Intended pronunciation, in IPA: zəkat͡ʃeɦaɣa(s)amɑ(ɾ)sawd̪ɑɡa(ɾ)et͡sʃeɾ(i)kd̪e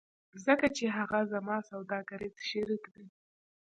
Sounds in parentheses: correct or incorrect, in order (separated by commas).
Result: incorrect, incorrect, correct, correct